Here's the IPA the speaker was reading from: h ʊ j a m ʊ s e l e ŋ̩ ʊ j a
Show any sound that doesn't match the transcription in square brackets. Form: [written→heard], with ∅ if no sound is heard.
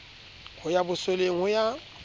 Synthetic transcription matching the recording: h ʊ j a [m→b] ʊ s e l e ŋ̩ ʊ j a